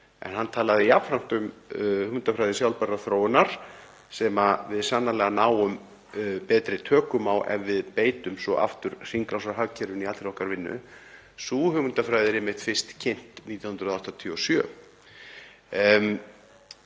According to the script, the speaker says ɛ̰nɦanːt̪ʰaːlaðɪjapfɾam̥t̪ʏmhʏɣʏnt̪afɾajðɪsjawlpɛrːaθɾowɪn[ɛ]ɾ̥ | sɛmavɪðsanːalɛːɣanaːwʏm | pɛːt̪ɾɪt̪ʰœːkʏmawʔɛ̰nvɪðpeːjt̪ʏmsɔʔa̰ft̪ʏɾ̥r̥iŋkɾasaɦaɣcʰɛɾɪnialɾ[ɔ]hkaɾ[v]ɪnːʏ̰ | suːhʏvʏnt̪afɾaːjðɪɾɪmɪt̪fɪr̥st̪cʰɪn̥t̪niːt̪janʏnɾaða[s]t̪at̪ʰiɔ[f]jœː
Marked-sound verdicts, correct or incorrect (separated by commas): incorrect, correct, correct, incorrect, incorrect